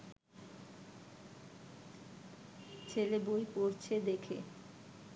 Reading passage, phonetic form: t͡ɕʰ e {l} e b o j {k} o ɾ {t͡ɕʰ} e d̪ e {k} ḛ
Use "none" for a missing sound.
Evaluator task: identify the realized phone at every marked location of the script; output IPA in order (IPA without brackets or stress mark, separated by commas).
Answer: l, p, t͡ɕʰ, kʰ